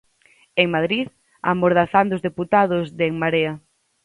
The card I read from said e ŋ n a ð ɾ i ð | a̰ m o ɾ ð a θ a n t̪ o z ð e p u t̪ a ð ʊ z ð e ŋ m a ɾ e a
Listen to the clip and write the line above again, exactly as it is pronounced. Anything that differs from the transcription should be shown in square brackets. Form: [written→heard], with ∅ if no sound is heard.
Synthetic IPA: e ŋ [n→m] a ð ɾ i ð | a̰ m o ɾ ð a θ a n [t̪→d̪] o z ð e p u t̪ a ð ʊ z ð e ŋ m a ɾ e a